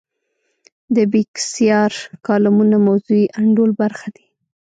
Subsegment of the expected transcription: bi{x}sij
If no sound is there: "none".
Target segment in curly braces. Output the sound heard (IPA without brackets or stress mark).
k